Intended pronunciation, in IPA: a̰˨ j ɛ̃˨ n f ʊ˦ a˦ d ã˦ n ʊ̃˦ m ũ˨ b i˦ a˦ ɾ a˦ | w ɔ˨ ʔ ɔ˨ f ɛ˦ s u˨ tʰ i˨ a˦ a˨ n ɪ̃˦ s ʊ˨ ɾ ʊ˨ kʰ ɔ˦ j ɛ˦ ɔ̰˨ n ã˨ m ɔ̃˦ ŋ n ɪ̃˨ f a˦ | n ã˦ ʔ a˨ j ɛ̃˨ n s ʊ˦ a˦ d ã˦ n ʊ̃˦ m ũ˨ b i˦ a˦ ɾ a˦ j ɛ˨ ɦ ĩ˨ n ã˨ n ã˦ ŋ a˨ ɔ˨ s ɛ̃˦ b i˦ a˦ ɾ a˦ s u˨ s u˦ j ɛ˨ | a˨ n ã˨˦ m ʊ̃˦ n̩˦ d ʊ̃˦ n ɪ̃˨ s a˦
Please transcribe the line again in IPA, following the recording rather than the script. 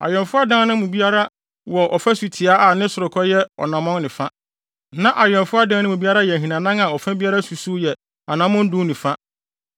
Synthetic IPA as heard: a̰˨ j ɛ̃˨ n f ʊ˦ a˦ d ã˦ n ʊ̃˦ m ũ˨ b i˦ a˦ ɾ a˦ | w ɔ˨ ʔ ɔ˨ f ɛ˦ s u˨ tʰ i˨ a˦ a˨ n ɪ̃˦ s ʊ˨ ɾ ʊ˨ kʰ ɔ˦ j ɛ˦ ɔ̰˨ n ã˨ m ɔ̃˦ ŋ n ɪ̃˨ f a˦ | n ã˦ ʔ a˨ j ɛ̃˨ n f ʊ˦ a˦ d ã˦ n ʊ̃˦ m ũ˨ b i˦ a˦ ɾ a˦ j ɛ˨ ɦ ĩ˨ n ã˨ n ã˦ ŋ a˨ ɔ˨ f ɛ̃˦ b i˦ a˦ ɾ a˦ s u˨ s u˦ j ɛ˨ | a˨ n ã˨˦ m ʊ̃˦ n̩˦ d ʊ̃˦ n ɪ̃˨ f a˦

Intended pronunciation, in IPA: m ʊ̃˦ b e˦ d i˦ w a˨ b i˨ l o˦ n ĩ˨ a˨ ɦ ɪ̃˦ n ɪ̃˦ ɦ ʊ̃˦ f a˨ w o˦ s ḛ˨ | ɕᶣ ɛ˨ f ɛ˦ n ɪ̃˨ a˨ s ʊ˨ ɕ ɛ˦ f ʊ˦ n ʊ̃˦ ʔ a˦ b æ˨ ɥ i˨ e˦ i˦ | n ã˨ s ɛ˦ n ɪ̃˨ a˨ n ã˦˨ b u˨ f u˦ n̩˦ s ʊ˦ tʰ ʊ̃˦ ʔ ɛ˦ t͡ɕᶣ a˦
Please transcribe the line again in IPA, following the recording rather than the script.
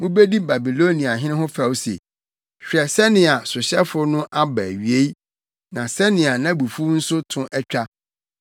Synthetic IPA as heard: m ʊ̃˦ b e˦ d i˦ b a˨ b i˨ l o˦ n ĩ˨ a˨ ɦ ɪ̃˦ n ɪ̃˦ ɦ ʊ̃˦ f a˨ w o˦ s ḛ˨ | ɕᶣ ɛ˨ s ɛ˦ n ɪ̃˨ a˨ s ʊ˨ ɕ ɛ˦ f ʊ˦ n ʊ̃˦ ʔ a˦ b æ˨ ɥ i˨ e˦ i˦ | n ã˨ s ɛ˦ n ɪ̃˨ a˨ n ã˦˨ b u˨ f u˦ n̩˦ s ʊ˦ tʰ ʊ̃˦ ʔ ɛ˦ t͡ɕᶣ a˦

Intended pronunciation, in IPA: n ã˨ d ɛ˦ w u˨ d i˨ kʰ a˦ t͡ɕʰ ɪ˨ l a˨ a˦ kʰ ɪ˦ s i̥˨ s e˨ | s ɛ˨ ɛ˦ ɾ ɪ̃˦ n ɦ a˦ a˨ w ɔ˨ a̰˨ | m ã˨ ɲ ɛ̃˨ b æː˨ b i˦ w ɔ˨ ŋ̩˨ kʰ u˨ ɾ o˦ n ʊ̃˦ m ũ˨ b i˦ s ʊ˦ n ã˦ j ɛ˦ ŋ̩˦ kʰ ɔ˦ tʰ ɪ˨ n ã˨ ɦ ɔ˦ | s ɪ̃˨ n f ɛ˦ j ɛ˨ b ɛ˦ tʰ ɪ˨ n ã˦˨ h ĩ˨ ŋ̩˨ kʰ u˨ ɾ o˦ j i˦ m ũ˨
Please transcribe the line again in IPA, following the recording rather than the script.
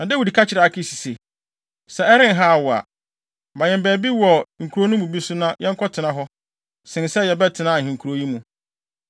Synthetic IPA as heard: n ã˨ d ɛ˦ w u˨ d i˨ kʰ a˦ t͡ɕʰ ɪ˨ ɾ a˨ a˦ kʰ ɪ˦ s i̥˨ s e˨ | s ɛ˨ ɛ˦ ɾ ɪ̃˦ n ɦ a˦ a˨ w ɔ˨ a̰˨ | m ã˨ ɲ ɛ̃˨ b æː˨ b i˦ w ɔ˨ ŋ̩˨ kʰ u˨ ɾ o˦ n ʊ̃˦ m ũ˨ b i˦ s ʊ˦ n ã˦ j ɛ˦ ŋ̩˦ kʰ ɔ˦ tʰ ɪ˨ n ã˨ ɦ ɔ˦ | s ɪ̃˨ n s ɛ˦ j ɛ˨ b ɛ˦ tʰ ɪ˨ n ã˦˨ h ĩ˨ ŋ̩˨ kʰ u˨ ɾ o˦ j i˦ m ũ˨

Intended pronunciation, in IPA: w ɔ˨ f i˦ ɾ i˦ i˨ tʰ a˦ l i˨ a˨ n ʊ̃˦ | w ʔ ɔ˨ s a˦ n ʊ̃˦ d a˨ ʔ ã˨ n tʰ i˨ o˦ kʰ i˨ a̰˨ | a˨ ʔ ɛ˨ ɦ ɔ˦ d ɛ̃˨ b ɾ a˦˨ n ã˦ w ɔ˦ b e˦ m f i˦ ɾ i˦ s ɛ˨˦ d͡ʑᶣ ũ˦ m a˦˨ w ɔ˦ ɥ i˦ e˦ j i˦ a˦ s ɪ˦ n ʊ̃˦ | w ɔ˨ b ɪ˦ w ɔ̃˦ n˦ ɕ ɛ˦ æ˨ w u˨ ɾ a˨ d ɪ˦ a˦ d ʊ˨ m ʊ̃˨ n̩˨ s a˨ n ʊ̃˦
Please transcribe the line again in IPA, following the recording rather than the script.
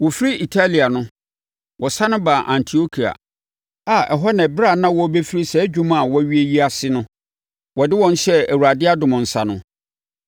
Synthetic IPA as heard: w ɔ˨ f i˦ ɾ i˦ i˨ tʰ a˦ l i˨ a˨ n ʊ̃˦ | w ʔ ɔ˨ s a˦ n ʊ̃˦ b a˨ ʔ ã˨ n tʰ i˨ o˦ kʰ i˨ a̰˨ | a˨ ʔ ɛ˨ ɦ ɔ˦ n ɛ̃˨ b ɾ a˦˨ n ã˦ w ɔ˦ b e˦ f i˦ ɾ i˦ s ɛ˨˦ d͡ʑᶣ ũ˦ m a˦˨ w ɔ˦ ɥ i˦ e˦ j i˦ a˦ s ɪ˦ n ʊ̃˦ | w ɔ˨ d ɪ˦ w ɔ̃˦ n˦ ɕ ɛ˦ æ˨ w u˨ ɾ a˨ d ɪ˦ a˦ d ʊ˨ m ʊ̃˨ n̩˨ s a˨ n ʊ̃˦

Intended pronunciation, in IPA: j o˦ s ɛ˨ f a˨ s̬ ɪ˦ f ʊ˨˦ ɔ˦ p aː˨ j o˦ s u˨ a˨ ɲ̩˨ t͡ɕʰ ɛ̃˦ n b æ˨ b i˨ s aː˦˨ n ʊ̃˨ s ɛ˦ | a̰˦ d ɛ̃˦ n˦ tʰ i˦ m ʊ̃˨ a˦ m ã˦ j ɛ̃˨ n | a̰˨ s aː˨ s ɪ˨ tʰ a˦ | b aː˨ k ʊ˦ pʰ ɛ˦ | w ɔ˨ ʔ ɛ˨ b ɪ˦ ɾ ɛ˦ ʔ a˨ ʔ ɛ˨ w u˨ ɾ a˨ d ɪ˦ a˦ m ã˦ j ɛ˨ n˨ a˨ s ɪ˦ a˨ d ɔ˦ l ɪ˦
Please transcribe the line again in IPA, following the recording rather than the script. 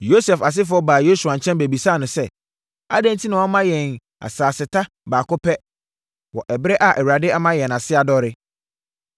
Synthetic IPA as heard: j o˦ s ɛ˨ f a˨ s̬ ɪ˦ f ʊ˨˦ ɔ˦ b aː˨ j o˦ s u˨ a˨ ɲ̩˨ t͡ɕʰ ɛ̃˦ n b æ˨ b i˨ s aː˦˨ n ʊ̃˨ s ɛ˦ | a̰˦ d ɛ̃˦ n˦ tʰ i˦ n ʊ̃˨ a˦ m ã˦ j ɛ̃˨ n | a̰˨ s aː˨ s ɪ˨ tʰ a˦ | b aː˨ k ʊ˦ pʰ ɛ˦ | w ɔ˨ ʔ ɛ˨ b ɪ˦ ɾ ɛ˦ ʔ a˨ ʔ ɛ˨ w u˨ ɾ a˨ d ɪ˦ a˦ m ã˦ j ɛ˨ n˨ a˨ s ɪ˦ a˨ d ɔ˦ ɾ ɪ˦

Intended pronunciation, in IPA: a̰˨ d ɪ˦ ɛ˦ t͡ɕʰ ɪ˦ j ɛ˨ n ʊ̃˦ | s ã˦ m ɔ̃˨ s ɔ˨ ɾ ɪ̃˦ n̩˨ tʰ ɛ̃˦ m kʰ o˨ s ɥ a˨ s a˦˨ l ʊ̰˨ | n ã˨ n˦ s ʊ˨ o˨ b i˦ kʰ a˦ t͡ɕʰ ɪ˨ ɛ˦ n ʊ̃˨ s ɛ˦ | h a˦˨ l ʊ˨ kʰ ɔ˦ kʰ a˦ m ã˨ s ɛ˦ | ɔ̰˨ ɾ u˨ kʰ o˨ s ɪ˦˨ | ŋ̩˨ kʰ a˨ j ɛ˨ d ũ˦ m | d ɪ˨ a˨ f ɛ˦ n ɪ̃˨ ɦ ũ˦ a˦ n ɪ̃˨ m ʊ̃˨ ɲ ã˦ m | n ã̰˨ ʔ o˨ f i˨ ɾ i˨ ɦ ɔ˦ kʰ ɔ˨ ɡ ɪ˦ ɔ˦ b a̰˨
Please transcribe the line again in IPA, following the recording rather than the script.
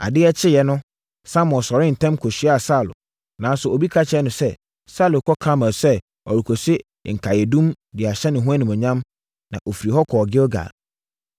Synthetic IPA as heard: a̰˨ d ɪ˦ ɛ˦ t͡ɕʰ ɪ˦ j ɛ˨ n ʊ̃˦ | s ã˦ m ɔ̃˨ s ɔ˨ ɾ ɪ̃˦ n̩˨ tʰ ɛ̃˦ m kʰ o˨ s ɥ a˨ s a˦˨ l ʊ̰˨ | n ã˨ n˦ s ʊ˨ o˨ b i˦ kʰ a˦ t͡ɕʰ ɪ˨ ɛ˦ n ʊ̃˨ s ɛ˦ | s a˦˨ l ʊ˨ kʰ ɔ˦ kʰ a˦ m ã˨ s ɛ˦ | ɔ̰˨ ɾ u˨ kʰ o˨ s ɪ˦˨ | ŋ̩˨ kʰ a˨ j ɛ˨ d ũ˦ m | d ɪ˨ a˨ ɕ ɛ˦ n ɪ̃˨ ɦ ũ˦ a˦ n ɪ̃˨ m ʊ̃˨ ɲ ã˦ m | n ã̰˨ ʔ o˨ f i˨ ɾ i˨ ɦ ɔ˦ kʰ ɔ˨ ɡ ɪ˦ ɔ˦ ɡ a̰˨

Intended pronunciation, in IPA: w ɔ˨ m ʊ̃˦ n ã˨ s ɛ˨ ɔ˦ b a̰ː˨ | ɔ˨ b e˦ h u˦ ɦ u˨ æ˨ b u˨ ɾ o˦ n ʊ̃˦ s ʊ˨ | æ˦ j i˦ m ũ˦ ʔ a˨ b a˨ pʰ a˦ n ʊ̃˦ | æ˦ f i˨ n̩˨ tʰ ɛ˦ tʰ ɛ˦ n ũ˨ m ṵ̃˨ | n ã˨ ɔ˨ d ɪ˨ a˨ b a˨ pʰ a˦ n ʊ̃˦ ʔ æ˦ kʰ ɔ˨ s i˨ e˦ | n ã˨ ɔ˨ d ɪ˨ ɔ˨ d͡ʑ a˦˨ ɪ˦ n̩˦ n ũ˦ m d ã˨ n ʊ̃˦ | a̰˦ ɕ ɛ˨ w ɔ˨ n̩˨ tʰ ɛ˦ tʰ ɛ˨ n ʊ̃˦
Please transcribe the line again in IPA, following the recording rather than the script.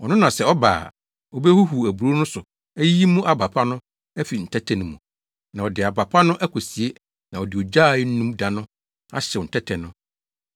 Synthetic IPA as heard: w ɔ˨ n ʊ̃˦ n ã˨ s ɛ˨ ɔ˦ b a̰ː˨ | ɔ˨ b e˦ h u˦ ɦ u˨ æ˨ b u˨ ɾ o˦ n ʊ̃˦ s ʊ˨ | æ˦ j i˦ m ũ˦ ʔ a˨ b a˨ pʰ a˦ n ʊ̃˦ | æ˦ f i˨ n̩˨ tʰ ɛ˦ tʰ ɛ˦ n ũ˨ m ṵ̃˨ | n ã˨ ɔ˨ d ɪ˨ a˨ b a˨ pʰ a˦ n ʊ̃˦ ʔ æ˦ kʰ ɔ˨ s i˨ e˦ | n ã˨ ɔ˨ d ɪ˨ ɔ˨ d͡ʑ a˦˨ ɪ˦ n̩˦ n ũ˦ m d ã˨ n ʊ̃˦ | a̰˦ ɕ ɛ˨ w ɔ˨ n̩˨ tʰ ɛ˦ tʰ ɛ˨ n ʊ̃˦

